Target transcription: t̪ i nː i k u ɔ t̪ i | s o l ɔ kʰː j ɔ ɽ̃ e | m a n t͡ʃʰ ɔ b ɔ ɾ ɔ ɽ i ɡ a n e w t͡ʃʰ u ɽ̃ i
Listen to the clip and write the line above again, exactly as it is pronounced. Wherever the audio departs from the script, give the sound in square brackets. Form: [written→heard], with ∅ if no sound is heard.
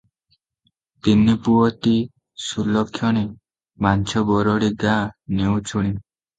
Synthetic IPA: t̪ i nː i [k→p] u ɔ t̪ i | s [o→u] l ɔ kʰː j ɔ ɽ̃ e | m a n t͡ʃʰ ɔ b ɔ ɾ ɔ ɽ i ɡ a n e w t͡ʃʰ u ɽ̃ i